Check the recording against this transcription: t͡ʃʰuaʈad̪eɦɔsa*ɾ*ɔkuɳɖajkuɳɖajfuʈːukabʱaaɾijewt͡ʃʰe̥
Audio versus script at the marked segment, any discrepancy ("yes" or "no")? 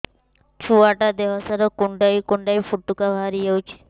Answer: no